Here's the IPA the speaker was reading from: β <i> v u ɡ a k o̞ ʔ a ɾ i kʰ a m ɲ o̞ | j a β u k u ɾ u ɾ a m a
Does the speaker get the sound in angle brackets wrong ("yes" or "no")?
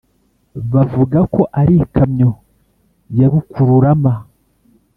yes